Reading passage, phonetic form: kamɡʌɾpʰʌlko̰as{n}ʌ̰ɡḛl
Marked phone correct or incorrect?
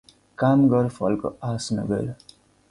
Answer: correct